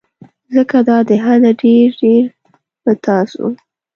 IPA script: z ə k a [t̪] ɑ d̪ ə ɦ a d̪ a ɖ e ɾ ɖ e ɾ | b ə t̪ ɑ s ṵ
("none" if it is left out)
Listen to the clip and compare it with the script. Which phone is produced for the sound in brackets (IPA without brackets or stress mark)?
d̪